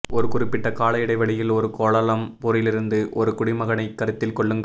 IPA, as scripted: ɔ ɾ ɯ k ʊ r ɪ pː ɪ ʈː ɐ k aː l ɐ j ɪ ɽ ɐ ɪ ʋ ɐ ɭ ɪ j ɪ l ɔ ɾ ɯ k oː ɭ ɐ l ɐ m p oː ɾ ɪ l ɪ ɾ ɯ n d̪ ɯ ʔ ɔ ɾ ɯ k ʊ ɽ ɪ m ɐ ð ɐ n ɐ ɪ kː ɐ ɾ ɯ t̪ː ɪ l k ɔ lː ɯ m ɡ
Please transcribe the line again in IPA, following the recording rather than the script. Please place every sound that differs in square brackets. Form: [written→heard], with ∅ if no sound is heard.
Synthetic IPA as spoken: ɔ ɾ ɯ k ʊ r ɪ pː ɪ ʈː ɐ k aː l ɐ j ɪ ɽ ɐ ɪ ʋ ɐ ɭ ɪ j ɪ l ɔ ɾ ɯ k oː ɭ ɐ l ɐ m p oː ɾ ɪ l ɪ ɾ ɯ n d̪ ɯ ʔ ɔ ɾ ɯ k ʊ ɽ ɪ m ɐ [ð→ɣ] ɐ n ɐ ɪ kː ɐ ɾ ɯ t̪ː ɪ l k ɔ [lː→ɭː] ɯ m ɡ